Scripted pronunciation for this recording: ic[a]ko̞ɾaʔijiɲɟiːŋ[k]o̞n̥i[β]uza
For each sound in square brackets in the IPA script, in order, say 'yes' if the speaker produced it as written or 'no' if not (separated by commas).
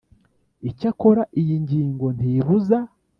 yes, no, yes